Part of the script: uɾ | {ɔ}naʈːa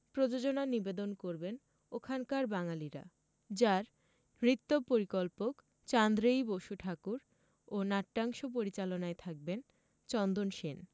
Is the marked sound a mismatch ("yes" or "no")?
yes